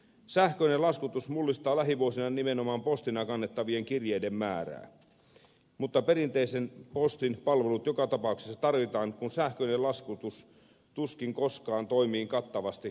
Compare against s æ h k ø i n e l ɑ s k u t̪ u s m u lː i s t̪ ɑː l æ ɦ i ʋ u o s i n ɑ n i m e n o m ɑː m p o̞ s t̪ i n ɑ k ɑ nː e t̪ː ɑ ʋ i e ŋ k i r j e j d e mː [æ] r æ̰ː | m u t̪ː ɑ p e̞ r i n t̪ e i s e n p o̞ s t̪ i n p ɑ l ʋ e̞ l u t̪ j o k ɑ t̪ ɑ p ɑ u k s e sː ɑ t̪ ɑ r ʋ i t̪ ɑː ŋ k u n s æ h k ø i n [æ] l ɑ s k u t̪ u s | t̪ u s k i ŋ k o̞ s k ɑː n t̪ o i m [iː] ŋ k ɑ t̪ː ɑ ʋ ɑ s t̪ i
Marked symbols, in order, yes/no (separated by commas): no, no, yes